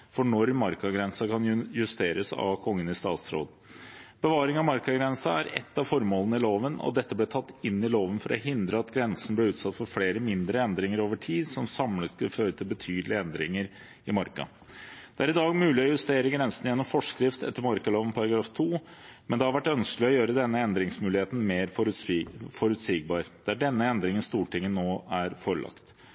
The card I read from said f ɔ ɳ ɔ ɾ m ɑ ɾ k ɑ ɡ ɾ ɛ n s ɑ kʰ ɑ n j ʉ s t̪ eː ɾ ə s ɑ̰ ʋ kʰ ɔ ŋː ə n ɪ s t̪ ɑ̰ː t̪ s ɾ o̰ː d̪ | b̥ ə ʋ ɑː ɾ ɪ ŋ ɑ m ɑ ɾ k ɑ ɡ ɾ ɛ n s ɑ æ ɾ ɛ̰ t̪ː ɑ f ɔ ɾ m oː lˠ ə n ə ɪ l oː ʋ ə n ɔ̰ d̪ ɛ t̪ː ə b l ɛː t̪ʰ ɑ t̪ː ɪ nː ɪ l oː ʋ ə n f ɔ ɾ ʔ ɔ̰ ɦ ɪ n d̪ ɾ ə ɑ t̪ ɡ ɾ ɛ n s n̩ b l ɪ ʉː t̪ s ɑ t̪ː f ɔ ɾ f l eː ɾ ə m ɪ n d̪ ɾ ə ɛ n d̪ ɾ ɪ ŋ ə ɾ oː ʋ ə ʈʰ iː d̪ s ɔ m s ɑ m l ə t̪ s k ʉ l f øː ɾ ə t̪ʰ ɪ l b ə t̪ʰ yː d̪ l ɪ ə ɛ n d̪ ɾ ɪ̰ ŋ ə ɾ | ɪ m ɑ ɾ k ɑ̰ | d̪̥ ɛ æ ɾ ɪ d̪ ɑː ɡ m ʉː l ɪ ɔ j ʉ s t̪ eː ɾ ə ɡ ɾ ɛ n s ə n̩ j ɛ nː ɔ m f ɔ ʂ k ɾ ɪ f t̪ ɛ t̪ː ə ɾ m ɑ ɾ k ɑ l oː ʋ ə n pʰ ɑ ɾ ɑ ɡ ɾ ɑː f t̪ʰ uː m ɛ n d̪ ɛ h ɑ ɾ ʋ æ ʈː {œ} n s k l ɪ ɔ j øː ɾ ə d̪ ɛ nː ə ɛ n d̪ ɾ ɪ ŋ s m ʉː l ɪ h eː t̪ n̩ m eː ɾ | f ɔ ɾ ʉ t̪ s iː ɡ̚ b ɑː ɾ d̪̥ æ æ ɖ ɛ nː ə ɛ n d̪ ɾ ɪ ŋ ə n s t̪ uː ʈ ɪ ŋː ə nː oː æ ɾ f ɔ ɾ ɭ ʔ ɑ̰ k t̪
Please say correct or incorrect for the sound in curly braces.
correct